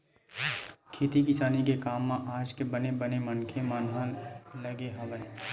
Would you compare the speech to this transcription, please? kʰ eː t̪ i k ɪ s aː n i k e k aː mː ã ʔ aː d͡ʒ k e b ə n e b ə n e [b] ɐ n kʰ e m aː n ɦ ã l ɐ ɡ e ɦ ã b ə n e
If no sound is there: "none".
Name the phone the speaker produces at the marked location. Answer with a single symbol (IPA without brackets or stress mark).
m